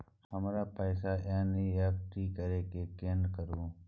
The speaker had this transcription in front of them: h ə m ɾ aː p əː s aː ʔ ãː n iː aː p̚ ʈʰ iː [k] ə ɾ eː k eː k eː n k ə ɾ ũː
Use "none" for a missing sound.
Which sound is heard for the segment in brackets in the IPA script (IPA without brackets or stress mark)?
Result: k